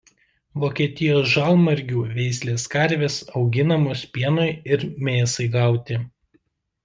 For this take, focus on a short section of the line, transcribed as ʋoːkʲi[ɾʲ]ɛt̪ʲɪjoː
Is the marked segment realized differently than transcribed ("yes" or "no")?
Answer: yes